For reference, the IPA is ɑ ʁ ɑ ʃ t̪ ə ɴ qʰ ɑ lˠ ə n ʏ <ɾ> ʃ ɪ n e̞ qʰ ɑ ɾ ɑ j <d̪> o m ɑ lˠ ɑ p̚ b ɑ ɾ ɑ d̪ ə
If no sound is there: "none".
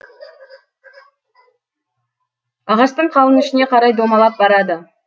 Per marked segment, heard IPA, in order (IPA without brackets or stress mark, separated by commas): none, d̪